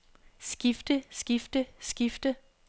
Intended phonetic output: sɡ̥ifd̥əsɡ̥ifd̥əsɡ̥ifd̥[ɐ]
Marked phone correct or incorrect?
incorrect